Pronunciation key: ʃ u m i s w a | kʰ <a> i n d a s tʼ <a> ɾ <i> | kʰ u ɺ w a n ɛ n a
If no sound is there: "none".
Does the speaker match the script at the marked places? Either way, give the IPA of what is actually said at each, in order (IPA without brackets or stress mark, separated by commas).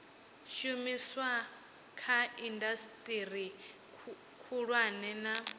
a, i, i